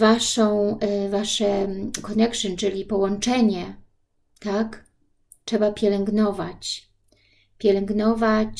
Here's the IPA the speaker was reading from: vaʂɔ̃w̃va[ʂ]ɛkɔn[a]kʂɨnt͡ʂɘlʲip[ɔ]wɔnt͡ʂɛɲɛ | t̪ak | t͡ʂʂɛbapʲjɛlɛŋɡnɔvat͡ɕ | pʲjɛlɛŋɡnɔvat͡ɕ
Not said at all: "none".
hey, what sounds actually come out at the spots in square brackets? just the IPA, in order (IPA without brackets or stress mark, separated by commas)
ʂ, ɛ, ɔ